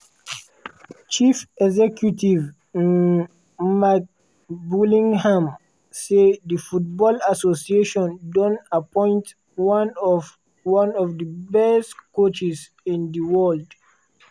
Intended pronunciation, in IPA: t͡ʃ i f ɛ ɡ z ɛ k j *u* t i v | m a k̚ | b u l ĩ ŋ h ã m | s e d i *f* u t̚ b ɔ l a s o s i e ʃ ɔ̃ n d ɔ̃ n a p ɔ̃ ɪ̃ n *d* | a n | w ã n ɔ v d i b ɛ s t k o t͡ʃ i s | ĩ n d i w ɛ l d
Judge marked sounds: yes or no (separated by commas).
yes, yes, no